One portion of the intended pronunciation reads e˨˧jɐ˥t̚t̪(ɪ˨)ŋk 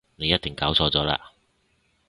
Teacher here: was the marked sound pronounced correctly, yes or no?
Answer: yes